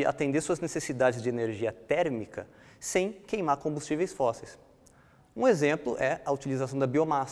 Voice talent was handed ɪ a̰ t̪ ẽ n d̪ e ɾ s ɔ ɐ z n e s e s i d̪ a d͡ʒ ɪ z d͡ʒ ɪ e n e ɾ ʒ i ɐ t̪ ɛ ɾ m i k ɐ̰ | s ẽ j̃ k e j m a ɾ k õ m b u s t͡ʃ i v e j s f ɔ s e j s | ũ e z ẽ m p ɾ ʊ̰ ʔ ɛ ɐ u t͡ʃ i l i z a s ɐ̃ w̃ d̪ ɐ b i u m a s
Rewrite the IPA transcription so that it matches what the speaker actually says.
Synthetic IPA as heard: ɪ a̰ t̪ ẽ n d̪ e ɾ s u ɐ z n e s e s i d̪ a d͡ʒ ɪ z d͡ʒ ɪ e n e ɾ ʒ i ɐ t̪ ɛ ɾ m i k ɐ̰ | s ẽ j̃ k e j m a ɾ k õ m b u s t͡ʃ i v e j s f ɔ s e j s | ũ e z ẽ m p l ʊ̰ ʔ ɛ ɐ u t͡ʃ i l i z a s ɐ̃ w̃ d̪ ɐ b i o m a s